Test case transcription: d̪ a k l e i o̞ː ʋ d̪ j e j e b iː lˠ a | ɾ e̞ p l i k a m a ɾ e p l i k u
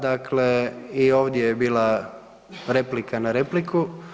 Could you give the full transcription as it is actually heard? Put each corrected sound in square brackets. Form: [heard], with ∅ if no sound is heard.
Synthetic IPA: d̪ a k l e i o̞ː ʋ d̪ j e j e b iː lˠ a | ɾ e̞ p l i k a [n] a ɾ e p l i k u